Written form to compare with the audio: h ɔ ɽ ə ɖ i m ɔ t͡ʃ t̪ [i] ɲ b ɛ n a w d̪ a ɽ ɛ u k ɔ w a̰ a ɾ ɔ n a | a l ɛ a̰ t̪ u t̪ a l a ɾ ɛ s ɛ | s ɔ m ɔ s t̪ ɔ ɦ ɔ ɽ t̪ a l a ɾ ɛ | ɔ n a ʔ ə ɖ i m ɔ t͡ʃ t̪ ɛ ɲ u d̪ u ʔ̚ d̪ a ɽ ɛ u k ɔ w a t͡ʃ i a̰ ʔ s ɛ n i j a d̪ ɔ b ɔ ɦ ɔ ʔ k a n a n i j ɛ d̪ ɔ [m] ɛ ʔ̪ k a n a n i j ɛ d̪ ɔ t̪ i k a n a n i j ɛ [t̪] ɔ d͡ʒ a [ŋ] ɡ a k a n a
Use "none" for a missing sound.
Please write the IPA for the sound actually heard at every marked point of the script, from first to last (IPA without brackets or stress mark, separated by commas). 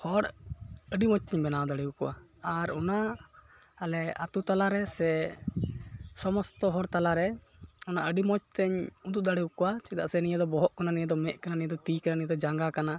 ɛ, m, d̪, ŋ